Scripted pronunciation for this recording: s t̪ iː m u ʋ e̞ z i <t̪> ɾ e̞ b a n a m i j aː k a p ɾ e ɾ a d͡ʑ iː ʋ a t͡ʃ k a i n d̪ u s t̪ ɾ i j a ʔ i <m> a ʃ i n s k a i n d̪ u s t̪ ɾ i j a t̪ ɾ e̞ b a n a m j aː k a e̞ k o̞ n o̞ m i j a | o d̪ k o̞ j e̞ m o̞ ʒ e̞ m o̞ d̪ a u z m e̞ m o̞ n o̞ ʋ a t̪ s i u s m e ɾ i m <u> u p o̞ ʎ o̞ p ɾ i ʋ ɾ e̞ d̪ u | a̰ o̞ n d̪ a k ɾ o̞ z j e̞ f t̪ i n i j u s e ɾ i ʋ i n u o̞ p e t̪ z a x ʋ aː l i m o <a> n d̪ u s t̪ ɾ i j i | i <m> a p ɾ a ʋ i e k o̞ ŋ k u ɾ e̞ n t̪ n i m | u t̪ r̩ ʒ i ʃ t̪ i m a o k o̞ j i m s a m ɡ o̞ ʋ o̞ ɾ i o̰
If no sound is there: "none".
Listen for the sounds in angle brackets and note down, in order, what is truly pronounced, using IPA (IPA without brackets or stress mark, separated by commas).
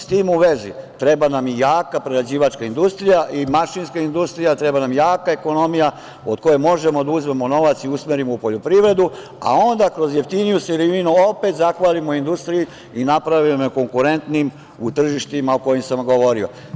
t̪, m, o, i, n